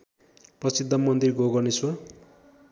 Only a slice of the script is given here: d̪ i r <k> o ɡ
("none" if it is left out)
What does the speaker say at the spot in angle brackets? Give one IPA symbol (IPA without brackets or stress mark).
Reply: ɡ